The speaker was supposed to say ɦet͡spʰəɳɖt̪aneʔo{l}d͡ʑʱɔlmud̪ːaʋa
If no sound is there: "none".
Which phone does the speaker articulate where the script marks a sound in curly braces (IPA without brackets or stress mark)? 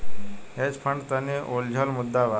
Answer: l